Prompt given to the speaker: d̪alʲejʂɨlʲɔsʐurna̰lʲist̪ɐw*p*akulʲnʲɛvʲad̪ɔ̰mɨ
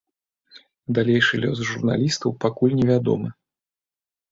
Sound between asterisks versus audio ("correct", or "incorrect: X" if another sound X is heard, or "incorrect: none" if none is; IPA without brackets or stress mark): correct